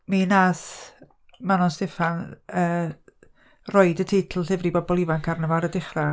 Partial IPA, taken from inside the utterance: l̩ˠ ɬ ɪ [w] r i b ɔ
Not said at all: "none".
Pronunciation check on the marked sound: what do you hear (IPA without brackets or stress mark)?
v